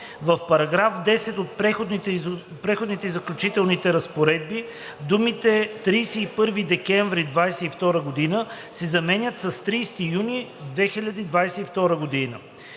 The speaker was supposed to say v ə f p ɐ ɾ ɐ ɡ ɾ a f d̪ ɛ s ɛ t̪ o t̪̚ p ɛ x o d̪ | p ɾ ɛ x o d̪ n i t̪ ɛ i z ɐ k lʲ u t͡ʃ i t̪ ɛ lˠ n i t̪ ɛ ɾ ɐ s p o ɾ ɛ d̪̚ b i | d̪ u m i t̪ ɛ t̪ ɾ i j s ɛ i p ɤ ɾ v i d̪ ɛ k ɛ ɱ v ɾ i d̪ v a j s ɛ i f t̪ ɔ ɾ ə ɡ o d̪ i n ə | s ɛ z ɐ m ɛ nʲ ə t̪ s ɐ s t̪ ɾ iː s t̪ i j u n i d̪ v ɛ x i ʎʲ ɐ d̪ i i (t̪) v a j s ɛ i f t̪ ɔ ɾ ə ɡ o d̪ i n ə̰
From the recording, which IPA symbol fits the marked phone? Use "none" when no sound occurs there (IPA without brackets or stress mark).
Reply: d̪